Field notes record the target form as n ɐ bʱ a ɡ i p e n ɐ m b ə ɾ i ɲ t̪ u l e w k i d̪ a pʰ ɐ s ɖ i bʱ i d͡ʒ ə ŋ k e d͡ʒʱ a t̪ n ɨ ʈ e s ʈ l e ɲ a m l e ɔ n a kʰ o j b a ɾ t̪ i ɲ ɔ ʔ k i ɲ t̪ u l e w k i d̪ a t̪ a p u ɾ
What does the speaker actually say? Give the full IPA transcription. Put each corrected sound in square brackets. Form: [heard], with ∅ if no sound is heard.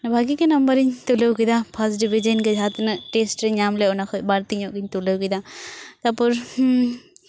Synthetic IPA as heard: n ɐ bʱ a ɡ i [k] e n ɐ m b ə ɾ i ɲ t̪ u l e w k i d̪ a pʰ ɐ s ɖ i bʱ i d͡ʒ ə [n] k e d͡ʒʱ a t̪ n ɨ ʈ e s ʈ [ɾ] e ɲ a m l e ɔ n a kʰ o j b a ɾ t̪ i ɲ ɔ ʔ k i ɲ t̪ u l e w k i d̪ a t̪ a p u ɾ